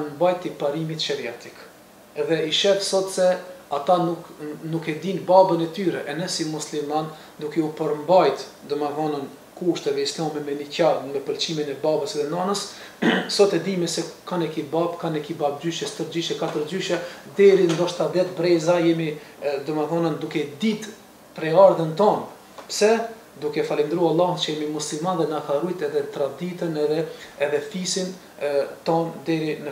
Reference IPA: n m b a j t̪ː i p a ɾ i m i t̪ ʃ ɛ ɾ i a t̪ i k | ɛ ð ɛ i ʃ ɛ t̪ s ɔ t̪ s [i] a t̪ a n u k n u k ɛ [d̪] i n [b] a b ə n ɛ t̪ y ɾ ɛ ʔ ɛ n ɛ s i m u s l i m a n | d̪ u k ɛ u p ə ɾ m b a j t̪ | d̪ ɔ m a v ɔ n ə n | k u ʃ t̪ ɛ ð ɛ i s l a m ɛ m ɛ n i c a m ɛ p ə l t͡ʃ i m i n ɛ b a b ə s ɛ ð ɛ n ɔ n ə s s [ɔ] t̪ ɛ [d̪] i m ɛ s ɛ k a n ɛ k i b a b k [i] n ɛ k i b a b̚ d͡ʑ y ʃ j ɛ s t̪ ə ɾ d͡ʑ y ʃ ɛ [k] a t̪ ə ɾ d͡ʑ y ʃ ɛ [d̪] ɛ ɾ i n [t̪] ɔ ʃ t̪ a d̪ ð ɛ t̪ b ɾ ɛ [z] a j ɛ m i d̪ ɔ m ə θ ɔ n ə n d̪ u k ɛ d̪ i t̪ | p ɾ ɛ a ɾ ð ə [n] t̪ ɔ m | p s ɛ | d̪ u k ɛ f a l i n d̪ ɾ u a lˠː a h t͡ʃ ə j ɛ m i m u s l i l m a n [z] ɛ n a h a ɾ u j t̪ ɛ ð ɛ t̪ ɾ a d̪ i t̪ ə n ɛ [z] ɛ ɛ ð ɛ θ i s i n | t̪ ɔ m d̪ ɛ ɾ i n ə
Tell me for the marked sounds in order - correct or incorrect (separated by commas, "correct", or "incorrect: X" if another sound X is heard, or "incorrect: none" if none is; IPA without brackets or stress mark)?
incorrect: ɛ, correct, correct, correct, correct, incorrect: a, correct, correct, incorrect: d̪, correct, correct, incorrect: ð, incorrect: ð